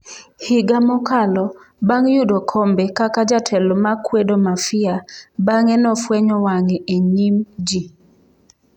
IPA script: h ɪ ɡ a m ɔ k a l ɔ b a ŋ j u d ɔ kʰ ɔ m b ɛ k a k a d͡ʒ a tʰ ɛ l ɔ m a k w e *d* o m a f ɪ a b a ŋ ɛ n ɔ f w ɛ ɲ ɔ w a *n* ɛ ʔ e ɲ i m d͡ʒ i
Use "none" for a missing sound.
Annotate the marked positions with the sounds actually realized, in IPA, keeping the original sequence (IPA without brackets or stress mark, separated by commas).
d, ŋ